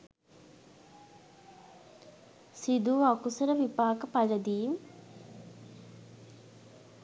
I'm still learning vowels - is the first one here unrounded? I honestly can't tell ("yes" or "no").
yes